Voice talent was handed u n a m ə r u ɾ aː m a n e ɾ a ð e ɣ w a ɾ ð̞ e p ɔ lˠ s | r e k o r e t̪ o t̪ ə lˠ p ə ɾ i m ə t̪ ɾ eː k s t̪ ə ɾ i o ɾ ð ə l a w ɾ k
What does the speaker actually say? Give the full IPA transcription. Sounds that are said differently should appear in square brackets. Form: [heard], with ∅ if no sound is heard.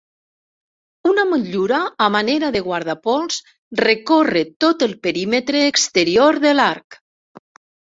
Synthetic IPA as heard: u n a m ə [ʎ] u ɾ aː m a n e ɾ a ð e ɣ w a ɾ ð̞ [a] p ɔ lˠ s | r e k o r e t̪ o t̪ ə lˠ p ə ɾ i m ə t̪ ɾ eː k s t̪ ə ɾ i o ɾ ð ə l a [∅] ɾ k